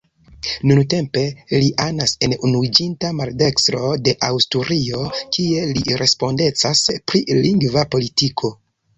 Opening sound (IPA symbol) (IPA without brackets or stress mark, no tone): n